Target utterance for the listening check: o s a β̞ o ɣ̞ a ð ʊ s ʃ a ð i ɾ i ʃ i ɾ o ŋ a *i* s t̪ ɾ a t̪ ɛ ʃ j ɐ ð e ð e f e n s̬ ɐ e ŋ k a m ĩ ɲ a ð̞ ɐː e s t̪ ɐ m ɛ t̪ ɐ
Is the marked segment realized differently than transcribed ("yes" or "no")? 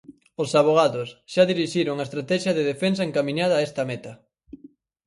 yes